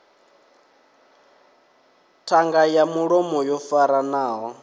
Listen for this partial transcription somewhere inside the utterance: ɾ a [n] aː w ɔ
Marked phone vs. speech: correct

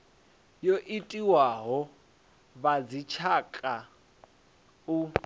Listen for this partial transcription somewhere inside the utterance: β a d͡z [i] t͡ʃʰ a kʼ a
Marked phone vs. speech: correct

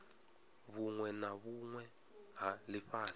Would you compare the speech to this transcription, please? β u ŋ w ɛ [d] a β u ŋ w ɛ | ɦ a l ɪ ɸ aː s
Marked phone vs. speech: incorrect: n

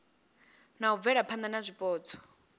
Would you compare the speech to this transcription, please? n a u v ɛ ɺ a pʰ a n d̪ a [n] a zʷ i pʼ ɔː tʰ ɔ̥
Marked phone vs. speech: correct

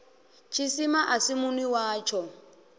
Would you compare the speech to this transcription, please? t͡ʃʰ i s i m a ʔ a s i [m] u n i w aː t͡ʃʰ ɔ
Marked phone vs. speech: correct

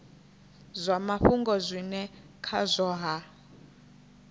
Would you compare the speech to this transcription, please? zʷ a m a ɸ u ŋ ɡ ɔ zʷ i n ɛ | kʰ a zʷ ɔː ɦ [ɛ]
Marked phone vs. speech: incorrect: a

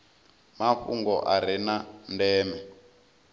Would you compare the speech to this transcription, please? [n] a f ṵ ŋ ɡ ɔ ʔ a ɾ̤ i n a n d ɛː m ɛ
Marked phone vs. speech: incorrect: m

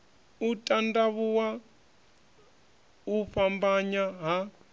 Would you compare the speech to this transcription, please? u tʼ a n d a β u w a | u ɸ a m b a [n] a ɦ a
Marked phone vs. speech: incorrect: ɲ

